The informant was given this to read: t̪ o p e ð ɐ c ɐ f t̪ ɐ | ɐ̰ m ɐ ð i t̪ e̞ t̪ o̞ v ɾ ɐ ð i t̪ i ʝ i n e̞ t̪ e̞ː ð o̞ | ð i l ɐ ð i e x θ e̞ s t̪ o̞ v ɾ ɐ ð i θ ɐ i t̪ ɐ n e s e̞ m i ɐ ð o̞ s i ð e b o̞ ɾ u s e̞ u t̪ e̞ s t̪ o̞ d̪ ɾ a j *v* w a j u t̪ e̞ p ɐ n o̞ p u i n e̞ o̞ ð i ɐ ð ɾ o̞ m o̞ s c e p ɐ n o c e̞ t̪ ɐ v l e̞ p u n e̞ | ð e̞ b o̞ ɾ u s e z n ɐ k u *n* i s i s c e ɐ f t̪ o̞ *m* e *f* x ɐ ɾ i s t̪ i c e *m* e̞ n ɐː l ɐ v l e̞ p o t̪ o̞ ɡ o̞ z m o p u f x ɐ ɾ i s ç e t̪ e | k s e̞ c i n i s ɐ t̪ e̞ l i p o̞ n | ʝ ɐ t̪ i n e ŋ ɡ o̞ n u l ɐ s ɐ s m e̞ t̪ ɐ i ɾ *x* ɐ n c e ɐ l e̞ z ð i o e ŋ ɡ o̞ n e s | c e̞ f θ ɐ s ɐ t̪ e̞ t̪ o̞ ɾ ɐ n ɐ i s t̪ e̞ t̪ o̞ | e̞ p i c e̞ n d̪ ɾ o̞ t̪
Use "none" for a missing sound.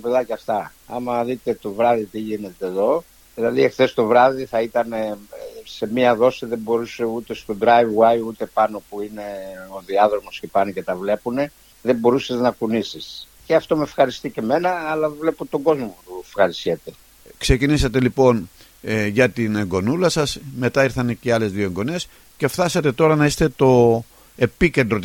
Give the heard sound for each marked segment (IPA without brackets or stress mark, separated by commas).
v, n, m, f, m, θ